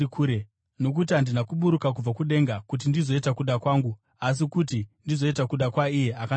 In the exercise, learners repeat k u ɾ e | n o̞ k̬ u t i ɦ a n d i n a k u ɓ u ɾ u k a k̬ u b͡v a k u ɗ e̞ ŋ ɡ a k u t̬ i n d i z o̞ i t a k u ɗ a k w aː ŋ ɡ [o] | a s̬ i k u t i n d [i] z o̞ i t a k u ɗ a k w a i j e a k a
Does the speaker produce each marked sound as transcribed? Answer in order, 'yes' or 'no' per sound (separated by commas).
no, yes